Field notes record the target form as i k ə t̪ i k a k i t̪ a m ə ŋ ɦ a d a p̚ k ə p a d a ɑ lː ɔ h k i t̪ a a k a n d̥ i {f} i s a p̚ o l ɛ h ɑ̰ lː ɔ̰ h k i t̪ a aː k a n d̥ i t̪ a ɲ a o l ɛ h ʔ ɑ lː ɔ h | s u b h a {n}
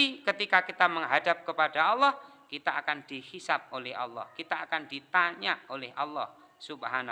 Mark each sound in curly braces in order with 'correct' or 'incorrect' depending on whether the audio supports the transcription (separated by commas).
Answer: incorrect, correct